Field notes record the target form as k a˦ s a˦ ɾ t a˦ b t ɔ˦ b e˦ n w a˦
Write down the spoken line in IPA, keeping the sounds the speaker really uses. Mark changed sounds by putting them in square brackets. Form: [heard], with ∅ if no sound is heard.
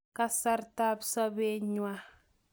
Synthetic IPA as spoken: k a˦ s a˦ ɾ t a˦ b [s] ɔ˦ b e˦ [ɲ] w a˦